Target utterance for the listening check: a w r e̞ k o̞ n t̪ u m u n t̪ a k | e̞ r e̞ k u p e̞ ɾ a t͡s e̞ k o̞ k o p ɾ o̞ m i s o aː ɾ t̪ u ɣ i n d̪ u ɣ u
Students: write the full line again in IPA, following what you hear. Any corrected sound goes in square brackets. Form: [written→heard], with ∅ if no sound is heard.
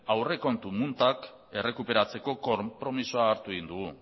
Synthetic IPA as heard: a w r e̞ k o̞ n t̪ u m u n t̪ a k | e̞ r e̞ k u p e̞ ɾ a t͡s e̞ k o̞ k o p ɾ o̞ m i s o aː ɾ t̪ u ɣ i n d̪ u ɣ u